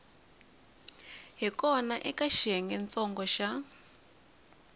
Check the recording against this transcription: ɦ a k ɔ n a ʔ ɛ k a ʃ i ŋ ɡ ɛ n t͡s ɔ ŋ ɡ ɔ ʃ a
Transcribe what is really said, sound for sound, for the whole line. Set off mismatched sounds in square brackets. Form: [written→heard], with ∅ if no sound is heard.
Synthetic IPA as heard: ɦ [a→i] k ɔ n a ʔ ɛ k a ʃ [i→ɛ] ŋ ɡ ɛ n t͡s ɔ ŋ ɡ ɔ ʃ a